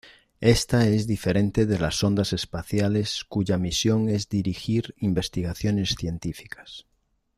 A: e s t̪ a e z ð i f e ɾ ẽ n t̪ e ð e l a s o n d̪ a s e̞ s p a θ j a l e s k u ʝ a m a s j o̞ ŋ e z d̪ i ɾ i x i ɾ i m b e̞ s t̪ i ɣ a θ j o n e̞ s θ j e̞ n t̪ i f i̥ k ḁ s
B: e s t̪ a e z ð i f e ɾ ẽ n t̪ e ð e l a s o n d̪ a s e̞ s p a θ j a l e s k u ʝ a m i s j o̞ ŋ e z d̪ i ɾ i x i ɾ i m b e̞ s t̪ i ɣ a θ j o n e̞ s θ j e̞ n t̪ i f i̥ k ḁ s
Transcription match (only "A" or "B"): B